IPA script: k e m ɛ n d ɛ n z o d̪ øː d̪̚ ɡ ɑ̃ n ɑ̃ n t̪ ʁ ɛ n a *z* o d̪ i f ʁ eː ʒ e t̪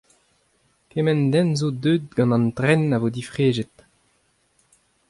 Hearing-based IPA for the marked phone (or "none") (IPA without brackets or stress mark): v